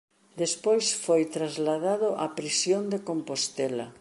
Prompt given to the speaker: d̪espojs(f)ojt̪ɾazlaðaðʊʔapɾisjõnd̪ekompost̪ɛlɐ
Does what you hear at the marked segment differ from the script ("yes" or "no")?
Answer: no